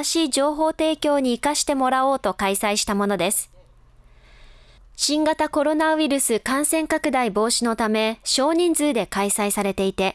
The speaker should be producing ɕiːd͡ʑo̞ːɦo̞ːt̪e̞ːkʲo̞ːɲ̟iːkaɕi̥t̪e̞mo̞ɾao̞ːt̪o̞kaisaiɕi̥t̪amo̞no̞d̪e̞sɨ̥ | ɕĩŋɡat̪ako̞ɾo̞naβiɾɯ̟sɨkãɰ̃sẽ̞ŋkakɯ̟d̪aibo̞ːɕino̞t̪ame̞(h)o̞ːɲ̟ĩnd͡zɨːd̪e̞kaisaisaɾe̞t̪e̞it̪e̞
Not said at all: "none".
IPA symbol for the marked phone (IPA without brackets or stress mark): ɕ